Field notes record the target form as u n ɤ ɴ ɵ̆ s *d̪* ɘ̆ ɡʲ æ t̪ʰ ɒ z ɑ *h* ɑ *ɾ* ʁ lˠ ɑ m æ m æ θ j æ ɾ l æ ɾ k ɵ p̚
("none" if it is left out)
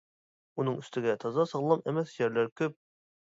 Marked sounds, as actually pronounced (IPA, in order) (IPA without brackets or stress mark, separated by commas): t̪, s, none